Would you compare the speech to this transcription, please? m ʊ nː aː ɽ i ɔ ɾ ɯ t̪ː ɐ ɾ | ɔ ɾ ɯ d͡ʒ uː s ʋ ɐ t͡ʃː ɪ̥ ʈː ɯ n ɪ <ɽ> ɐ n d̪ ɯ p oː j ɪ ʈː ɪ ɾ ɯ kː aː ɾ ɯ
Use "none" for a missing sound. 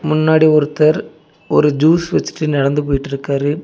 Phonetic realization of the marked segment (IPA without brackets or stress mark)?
ɽ